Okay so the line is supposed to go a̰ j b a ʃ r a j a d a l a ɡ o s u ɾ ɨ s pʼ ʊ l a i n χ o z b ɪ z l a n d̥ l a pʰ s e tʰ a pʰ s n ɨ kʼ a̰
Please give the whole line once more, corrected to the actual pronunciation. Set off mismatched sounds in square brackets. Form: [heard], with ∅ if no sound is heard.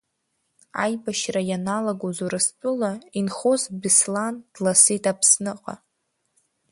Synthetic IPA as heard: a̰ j b a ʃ r a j a [n] a l a ɡ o [z] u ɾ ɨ s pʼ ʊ l a i n χ o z b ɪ [s] l a n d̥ l a [∅] s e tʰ a pʰ s n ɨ [qʼ] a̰